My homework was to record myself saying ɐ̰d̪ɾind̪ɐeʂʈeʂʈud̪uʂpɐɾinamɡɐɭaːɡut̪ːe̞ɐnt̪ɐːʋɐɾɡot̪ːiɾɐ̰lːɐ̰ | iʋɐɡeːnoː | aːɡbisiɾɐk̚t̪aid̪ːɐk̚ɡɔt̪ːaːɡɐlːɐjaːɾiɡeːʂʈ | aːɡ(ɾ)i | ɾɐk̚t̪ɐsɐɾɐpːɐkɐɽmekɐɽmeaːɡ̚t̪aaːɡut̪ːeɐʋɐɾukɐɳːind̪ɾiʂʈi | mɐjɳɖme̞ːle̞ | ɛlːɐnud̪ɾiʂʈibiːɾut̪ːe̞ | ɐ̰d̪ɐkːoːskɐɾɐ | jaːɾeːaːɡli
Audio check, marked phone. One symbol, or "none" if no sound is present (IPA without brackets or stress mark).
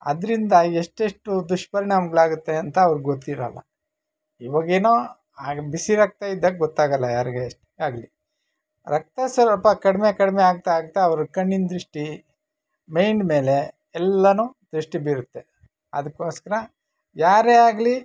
l